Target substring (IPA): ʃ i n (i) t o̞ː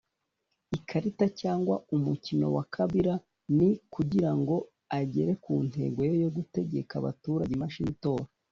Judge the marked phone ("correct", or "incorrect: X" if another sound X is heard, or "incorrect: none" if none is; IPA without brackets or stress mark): correct